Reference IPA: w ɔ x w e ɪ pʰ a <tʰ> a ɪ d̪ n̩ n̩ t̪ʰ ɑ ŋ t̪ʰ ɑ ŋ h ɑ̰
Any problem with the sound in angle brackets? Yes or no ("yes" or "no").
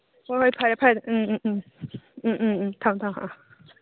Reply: yes